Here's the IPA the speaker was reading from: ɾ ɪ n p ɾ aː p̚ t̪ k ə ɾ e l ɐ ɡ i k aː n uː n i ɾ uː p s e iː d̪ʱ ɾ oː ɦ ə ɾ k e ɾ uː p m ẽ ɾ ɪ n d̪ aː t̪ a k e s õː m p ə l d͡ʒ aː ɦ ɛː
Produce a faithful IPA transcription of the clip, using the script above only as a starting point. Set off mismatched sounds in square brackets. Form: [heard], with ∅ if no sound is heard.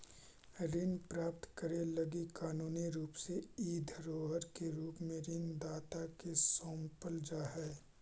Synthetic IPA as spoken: ɾ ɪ n p ɾ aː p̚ t̪ k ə ɾ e l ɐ ɡ i k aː n uː n i ɾ uː p s e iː d̪ʱ ɾ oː ɦ ə ɾ k e ɾ uː p m ẽ ɾ ɪ n d̪ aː t̪ a k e s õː m p ə l d͡ʒ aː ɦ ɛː